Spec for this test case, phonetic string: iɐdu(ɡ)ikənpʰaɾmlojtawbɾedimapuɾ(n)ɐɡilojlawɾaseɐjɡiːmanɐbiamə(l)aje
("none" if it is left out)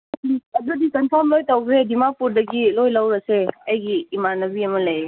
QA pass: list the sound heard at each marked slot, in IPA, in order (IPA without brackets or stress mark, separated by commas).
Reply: d, d, l